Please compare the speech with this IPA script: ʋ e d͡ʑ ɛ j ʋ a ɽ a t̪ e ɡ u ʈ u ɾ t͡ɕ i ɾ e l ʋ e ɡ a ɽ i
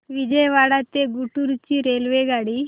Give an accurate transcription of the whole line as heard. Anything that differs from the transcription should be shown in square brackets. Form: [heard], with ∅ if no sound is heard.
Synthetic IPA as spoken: ʋ [i] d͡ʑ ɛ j ʋ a ɽ a t̪ e ɡ u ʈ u ɾ t͡ɕ i ɾ e l ʋ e ɡ a ɽ i